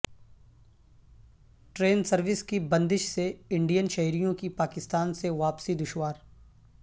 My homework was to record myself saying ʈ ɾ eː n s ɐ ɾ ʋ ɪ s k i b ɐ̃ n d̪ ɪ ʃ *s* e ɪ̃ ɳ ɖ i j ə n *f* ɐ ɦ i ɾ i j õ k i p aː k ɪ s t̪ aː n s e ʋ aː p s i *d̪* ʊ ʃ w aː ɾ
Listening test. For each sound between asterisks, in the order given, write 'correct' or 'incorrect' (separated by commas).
correct, incorrect, correct